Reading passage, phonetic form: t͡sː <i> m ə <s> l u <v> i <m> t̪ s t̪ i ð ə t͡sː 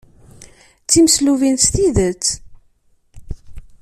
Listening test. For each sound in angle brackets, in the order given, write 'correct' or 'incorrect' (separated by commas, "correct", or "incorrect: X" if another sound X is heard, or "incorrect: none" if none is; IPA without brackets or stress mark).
correct, correct, correct, incorrect: n